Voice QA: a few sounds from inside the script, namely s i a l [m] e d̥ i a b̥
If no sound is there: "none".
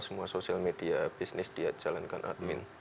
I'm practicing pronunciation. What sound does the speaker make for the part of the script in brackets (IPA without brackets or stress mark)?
m